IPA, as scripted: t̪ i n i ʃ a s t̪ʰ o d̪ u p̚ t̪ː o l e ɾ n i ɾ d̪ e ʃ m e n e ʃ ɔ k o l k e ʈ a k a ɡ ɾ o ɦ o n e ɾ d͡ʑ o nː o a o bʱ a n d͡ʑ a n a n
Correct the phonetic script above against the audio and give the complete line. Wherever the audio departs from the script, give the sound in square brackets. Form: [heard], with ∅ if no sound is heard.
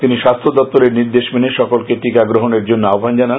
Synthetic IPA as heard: t̪ i n i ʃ a s t̪ʰ o d̪ [ɔ] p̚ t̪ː o l e ɾ n i ɾ d̪ e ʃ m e n e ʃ ɔ k o l k e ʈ [i] k a ɡ ɾ o ɦ o n e ɾ d͡ʑ o nː o a o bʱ a n d͡ʑ a n a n

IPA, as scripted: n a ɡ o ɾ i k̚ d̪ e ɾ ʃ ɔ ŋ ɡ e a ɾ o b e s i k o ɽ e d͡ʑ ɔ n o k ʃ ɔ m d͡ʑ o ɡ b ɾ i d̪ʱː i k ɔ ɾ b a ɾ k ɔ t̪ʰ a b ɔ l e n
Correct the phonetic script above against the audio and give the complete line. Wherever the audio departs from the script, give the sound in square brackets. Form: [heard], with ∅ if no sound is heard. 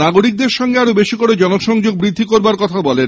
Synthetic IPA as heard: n a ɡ o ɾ i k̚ d̪ e ɾ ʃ ɔ ŋ ɡ e a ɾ o b e [ʃ] i k o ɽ e d͡ʑ ɔ n o k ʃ ɔ [ŋ] d͡ʑ o ɡ b ɾ i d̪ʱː i k [o] ɾ b a ɾ k ɔ t̪ʰ a b ɔ l e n

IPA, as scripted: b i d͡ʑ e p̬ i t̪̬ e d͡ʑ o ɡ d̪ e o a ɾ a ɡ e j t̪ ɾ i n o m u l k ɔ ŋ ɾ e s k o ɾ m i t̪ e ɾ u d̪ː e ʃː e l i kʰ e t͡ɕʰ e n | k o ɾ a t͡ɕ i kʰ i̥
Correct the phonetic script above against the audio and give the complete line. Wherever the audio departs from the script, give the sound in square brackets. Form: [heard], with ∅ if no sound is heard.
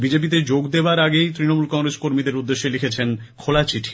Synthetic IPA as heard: b i d͡ʑ e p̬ i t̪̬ e d͡ʑ o ɡ d̪ e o a ɾ a ɡ e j t̪ ɾ i n o m u l k ɔ ŋ ɾ e s k o ɾ m i [d̪] e ɾ u d̪ː e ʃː e l i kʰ e t͡ɕʰ e n | [kʰ] o [l] a t͡ɕ i [ʈʰ] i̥

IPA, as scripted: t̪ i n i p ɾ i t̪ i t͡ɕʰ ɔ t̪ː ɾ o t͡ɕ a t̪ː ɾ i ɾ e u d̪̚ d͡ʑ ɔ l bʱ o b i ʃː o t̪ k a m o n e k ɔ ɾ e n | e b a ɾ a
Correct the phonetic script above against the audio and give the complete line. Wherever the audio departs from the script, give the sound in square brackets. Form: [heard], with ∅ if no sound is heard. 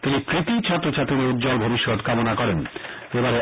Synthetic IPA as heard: t̪ i n i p ɾ i t̪ i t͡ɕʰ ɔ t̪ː ɾ o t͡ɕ a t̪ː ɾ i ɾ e u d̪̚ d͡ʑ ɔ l bʱ o b i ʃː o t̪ k a m o n [a] k ɔ ɾ e n | e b a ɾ [e]

